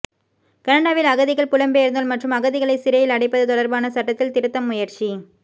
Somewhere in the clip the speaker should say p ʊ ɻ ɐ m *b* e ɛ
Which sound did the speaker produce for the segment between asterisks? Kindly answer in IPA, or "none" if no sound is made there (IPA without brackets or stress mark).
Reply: b